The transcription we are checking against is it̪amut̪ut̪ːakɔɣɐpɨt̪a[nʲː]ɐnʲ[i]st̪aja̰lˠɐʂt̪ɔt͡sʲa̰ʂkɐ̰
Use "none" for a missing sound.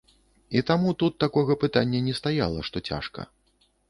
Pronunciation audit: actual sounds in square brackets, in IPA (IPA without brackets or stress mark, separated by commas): nʲː, ɛ